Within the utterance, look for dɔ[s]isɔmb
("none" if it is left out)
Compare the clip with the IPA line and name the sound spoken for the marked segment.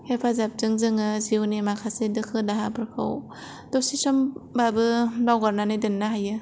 s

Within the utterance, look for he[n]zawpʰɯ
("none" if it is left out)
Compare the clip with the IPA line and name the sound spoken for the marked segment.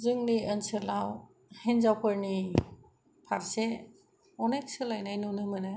n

